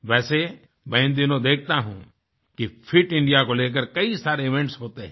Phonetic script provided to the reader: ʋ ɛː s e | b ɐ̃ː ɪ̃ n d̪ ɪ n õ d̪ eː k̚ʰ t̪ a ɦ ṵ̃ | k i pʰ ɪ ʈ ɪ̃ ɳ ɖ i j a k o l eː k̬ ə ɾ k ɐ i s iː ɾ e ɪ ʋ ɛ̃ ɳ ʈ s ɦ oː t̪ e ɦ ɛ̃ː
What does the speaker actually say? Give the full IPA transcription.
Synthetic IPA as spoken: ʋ ɛː s e | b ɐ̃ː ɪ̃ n d̪ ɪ n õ d̪ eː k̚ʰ t̪ a ɦ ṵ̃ | k i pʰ ɪ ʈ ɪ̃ ɳ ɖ i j a k o l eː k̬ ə ɾ k ɐ i s aː ɾ e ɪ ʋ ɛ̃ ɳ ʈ s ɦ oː t̪ e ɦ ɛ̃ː

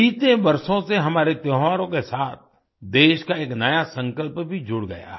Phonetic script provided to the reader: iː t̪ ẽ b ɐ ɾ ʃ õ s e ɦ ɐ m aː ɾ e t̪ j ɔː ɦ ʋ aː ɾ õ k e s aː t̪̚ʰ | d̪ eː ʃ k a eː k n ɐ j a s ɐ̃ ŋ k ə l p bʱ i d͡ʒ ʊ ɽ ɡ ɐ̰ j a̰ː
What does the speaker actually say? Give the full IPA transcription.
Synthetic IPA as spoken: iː t̪ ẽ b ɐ ɾ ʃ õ s e ɦ ɐ m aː ɾ e t̪ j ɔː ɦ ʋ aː ɾ õ k e s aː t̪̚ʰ | d̪ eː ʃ k a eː k n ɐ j a s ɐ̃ ŋ k ə l p bʱ i d͡ʒ ʊ ɽ ɡ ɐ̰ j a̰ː

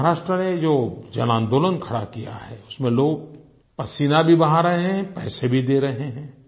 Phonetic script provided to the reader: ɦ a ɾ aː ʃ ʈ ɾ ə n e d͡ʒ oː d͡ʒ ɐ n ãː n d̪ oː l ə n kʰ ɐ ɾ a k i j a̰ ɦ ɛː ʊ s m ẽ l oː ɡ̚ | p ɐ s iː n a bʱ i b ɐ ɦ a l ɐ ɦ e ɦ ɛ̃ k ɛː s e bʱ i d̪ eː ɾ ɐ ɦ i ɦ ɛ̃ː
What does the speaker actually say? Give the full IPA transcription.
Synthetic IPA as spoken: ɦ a ɾ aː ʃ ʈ ɾ ə n e d͡ʒ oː d͡ʒ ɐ n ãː n d̪ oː l ə n kʰ ɐ ɽ a k i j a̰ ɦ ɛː ʊ s m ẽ l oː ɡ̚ | p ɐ s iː n a bʱ i b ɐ ɦ a ɾ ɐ ɦ e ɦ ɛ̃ p ɛː s e bʱ i d̪ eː ɾ ɐ ɦ e ɦ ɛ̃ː

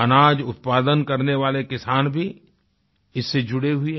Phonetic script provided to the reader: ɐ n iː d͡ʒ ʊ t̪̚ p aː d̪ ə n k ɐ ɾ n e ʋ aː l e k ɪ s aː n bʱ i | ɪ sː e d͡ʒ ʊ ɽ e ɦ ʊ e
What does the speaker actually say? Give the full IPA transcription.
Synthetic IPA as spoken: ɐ n aː d͡ʒ ʊ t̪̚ p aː d̪ ə n k ɐ ɾ n e ʋ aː l e k ɪ s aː n bʱ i | ɪ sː e d͡ʒ ʊ ɽ e ɦ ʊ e

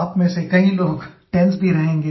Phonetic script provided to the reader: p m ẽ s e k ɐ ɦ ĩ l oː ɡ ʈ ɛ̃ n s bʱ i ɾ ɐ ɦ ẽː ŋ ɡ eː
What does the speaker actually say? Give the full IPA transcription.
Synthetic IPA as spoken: p m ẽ s e k ɐ ɦ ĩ l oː ɡ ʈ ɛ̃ n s bʱ i ɾ ɐ ɦ ẽː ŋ ɡ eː

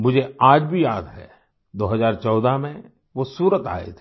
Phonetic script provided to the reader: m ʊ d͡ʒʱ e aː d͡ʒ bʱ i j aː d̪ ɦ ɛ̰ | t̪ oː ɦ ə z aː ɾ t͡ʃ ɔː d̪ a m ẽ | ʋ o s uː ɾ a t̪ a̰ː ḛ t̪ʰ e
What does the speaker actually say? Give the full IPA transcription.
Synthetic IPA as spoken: m ʊ d͡ʒʱ e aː d͡ʒ bʱ i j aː d̪ ɦ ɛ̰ | d̪ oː ɦ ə z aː ɾ t͡ʃ ɔː d̪ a m ẽ | ʋ o s uː ɾ ə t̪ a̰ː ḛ t̪ʰ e

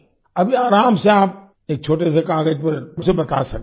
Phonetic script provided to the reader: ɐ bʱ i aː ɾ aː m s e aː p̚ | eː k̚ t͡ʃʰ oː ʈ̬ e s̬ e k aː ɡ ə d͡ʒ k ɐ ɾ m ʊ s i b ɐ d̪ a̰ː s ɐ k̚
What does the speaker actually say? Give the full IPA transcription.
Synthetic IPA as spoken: ɐ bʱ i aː ɾ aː m s e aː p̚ | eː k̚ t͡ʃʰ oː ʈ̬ e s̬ e k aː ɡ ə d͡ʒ p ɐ ɾ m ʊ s e b ɐ t̪ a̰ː s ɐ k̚

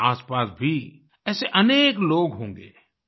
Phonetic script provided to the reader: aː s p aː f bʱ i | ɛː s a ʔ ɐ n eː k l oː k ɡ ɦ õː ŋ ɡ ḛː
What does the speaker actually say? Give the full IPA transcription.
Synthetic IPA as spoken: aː s p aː s bʱ i | ɛː s e ʔ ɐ n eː k l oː ɡ ɦ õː ŋ ɡ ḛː

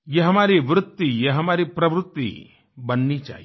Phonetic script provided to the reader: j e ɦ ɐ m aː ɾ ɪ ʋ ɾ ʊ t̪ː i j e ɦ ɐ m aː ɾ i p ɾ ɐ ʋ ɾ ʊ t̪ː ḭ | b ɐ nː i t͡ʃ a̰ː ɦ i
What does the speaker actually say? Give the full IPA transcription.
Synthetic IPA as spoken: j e ɦ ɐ m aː ɾ i ʋ ɾ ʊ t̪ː i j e ɦ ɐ m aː ɾ i p ɾ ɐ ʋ ɾ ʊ t̪ː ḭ | b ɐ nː i t͡ʃ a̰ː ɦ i

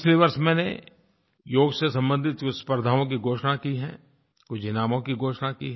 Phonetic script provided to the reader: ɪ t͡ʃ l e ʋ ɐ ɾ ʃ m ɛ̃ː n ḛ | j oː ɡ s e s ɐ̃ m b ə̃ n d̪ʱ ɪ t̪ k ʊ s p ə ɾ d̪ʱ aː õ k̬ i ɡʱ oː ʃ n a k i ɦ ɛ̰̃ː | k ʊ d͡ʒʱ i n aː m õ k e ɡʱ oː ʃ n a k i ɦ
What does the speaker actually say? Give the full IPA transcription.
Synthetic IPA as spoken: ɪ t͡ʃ l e ʋ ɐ ɾ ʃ m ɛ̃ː n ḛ | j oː ɡ s e s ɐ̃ m b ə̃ n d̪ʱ ɪ t̪ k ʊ s p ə ɾ d̪ʱ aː õ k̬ i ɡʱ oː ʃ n a k i ɦ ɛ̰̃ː | k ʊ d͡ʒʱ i n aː m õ k i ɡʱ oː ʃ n a k i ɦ

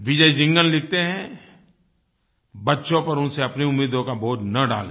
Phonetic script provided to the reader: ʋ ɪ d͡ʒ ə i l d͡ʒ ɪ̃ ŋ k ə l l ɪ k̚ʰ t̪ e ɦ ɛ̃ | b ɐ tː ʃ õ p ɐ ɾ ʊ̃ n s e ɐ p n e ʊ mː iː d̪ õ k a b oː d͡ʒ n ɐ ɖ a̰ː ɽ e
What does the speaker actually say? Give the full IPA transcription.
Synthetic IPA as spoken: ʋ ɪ d͡ʒ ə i d͡ʒ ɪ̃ ŋ ɡ ə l l ɪ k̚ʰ t̪ e ɦ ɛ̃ | b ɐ tː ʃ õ p ɐ ɾ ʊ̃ n s e ɐ p n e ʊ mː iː d̪ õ k a b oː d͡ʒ n ɐ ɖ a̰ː l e

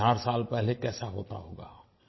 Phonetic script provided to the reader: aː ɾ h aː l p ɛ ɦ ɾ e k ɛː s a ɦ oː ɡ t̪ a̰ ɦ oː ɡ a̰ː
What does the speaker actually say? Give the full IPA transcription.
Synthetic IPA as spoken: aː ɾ s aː l p ɛ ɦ l e k ɛː s a ɦ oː t̪ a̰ ɦ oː ɡ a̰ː

